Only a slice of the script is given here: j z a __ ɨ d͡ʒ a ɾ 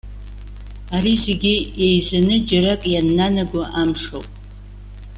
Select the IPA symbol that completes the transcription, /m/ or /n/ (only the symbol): n